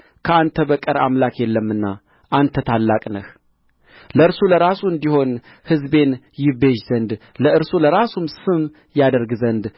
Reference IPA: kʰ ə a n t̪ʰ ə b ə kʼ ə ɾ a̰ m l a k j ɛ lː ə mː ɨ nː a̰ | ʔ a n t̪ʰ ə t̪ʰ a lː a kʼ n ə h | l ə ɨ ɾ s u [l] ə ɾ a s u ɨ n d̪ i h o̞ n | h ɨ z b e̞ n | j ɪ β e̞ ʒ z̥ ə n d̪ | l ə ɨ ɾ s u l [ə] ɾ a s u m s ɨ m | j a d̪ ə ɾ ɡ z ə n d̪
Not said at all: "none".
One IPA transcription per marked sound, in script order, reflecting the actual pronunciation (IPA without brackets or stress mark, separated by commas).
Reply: l, ə